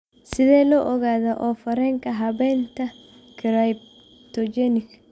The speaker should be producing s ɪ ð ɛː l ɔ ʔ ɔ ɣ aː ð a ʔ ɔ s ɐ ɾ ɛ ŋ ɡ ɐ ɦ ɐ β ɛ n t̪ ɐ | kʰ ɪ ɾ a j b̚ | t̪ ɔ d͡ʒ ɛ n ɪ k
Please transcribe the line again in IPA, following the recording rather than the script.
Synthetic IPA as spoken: s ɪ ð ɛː l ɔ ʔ ɔ ɣ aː ð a ʔ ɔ f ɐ ɾ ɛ ŋ k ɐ ɦ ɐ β ɛ n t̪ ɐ | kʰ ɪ ɾ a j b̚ | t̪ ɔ d͡ʒ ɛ n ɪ k